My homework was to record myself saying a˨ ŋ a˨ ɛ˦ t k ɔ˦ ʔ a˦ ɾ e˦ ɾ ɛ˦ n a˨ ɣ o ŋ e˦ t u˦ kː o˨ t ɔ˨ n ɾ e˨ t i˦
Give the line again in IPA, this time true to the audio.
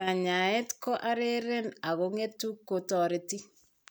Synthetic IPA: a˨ ɲ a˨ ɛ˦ t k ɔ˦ ʔ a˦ ɾ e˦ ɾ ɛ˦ n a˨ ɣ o ŋ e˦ t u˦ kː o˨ t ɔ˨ ɾ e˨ t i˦